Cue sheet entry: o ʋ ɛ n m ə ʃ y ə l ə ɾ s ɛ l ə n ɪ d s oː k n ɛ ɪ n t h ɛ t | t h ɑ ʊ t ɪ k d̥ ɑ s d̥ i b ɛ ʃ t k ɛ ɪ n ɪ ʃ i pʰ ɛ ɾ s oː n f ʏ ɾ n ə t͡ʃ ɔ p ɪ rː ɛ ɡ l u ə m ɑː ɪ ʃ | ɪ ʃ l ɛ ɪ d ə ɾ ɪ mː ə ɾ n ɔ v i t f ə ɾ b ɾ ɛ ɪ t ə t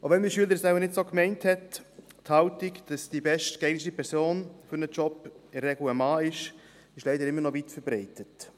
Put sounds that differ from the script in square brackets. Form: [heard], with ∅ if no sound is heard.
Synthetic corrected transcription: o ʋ ɛ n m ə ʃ y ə l ə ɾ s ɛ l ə n ɪ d s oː k [m] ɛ ɪ n t h ɛ t | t h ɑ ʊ t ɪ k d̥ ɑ s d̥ i b ɛ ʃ t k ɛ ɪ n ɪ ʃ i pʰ ɛ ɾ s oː n f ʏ ɾ n ə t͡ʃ ɔ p ɪ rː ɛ ɡ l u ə m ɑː ɪ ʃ | ɪ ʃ l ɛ ɪ d ə ɾ ɪ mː ə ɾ n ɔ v i t f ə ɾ b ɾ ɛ ɪ t ə t